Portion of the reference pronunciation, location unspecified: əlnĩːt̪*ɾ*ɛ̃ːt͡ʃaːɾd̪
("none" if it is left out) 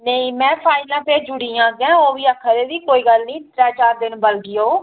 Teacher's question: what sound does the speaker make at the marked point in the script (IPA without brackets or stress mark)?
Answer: ɾ